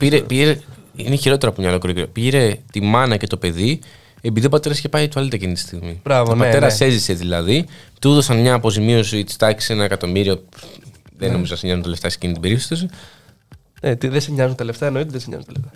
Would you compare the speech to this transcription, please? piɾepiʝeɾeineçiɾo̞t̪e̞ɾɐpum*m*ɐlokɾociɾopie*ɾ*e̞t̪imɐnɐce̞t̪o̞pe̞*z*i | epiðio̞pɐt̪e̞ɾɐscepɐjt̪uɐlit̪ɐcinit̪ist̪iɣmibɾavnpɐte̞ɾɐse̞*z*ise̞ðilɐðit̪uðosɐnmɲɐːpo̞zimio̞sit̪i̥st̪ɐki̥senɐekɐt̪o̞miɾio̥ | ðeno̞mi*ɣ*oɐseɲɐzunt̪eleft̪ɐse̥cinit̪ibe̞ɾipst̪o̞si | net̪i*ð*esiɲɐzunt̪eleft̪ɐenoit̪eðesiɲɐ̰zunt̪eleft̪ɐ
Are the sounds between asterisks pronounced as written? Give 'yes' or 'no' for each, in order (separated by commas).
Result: no, yes, no, yes, no, yes